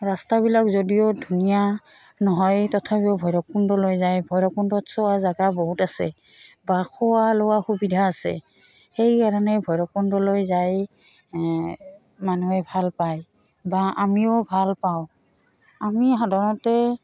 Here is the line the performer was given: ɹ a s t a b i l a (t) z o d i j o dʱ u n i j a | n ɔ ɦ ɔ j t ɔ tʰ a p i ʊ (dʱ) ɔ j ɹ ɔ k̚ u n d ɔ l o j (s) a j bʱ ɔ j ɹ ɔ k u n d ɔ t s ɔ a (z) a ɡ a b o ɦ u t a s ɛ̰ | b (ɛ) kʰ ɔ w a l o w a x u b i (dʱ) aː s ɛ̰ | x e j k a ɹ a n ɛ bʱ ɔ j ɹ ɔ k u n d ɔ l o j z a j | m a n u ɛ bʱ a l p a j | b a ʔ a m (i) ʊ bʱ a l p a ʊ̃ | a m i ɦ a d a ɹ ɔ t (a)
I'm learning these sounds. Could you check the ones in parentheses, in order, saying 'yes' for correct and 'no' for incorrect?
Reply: no, no, no, yes, no, yes, yes, no

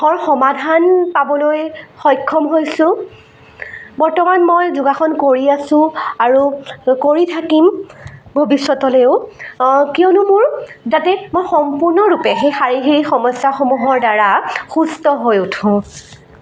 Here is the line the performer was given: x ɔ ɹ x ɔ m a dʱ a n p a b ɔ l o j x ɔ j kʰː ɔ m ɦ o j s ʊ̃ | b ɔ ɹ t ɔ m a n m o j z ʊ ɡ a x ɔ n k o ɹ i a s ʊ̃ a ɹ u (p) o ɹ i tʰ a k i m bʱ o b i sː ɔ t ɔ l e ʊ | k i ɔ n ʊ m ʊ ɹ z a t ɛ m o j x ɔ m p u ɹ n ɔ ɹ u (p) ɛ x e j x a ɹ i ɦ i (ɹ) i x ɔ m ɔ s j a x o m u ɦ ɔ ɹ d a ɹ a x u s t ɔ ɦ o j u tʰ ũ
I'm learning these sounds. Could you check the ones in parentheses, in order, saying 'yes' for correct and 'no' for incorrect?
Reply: no, yes, yes

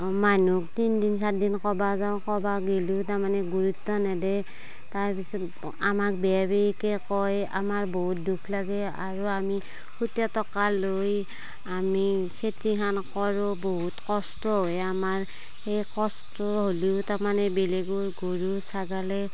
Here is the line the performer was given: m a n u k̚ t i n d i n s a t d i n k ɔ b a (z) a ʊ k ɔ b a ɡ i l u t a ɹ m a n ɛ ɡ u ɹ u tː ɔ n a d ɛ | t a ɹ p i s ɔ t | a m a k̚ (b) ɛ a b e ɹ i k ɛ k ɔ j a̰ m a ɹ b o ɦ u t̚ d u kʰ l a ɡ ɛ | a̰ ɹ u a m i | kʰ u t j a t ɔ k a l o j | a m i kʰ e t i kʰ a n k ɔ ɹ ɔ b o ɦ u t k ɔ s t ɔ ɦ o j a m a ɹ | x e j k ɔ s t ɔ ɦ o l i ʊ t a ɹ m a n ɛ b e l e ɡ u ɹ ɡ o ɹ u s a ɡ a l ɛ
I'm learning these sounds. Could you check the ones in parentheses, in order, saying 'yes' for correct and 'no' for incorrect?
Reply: yes, yes

